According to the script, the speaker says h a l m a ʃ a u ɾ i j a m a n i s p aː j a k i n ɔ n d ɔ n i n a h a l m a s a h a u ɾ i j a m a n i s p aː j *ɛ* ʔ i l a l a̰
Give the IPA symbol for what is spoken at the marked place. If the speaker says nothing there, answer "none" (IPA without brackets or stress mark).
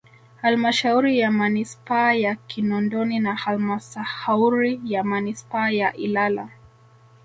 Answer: a